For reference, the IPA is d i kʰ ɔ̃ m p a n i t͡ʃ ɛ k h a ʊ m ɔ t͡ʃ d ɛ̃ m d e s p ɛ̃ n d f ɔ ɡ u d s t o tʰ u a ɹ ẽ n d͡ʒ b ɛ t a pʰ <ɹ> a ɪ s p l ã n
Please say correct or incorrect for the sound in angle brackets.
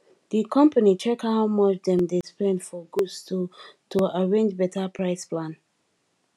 correct